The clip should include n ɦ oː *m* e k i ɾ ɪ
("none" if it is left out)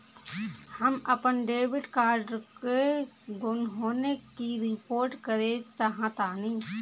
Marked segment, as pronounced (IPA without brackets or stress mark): n